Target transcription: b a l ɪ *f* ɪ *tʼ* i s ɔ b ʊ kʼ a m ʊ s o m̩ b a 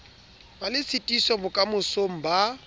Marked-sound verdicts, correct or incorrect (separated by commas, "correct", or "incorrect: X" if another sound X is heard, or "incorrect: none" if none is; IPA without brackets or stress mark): incorrect: s, correct